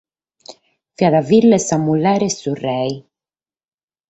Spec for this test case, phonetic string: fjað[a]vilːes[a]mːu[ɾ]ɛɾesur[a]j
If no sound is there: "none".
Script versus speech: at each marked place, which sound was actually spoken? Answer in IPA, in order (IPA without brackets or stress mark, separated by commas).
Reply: a, a, l, ɛ